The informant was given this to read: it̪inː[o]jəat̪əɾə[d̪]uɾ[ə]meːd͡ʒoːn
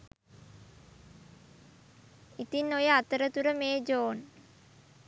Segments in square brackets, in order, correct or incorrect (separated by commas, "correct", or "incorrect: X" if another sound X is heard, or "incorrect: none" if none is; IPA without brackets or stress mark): correct, incorrect: t̪, correct